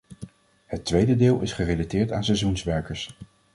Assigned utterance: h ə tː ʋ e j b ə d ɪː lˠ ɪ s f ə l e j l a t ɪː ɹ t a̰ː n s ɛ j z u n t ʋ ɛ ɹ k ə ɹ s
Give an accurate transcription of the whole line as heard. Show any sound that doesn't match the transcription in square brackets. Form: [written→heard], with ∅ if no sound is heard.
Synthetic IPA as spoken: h ə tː ʋ e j [b→d] ə d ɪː lˠ ɪ s [f→χ] ə [l→r] e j l a t ɪː ɹ t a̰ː n s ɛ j z u n [t→s] ʋ ɛ ɹ k ə ɹ s